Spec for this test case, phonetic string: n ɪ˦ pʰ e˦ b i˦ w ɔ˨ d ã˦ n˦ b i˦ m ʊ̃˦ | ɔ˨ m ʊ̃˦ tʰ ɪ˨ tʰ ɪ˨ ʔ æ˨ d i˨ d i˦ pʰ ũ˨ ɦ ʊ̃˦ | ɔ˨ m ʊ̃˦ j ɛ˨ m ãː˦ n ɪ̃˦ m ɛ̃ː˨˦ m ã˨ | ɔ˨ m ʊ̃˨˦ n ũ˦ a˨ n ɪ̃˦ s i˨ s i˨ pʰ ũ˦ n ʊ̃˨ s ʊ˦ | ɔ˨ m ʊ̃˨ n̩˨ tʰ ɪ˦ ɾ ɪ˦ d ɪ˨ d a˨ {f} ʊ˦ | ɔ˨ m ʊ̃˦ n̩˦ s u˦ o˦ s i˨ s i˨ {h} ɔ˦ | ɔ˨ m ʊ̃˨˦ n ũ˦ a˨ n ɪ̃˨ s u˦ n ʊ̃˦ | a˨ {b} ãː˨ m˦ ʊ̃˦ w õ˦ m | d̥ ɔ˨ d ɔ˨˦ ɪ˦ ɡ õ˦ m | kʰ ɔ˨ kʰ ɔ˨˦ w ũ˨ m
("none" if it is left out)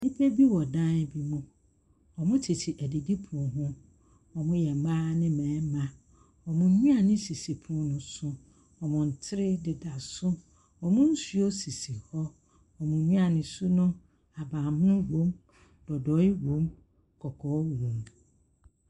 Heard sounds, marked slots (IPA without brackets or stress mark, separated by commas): s, h, b